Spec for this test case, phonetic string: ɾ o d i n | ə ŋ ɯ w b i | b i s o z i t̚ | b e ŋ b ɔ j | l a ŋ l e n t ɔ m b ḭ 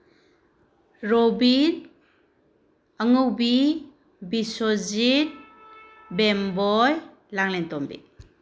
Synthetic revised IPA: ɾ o b i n | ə ŋ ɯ w b i | b i s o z i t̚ | b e m b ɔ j | l a ŋ l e n t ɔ m b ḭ